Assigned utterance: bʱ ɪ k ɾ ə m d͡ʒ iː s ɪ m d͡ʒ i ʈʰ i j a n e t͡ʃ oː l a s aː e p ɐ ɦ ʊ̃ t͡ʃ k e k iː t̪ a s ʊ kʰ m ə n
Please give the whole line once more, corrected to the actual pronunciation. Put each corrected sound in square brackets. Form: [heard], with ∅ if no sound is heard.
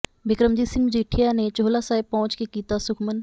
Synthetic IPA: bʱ ɪ k ɾ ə m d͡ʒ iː s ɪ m d͡ʒ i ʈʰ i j a n e t͡ʃ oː l a s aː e p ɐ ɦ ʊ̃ t͡ʃ k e k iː t̪ a s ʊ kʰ m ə n